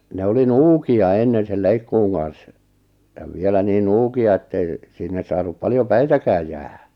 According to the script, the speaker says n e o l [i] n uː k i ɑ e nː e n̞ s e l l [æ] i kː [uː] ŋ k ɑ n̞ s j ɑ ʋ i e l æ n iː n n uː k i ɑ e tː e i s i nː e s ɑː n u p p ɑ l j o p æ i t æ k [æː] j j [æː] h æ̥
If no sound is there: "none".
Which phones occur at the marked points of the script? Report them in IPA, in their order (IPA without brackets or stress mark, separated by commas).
i, e, uː, æː, æː